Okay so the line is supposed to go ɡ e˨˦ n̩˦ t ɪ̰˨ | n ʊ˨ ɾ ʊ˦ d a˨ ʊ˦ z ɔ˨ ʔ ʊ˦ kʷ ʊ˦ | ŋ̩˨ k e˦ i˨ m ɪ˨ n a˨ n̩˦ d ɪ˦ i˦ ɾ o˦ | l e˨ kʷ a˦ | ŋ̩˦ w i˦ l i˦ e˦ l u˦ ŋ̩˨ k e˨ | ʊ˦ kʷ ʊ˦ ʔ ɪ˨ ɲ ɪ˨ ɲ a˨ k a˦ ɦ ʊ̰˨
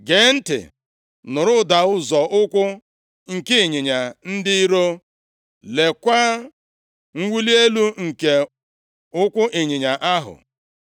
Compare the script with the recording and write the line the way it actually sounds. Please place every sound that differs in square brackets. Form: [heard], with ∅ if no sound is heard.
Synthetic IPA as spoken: ɡ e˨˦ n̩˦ t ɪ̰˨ | n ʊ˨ ɾ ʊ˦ d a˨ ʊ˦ z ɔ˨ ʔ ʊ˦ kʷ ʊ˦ | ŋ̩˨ k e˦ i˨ [ɲ] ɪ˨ [ɲ] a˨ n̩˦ d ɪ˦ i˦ ɾ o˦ | l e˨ kʷ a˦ | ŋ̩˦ w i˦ l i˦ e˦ l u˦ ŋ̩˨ k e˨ | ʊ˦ kʷ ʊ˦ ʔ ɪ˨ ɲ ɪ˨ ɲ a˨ [ʔ] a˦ ɦ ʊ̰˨